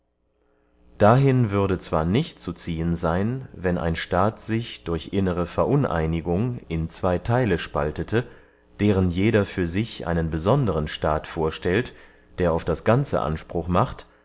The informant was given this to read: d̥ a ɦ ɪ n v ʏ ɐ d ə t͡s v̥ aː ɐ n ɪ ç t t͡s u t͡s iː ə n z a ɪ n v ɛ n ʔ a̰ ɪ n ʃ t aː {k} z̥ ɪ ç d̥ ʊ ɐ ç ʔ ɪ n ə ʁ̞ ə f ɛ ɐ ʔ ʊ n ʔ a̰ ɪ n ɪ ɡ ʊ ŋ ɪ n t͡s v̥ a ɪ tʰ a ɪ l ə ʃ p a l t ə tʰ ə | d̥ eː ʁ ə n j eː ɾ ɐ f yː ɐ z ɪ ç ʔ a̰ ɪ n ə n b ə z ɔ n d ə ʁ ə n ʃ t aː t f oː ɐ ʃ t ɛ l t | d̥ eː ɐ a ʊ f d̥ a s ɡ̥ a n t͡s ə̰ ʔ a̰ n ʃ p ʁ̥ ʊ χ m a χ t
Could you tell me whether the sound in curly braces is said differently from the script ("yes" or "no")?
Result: yes